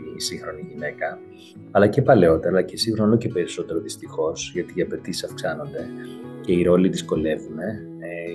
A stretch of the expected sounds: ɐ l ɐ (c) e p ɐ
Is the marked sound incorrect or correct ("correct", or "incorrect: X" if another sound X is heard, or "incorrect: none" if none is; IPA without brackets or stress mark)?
correct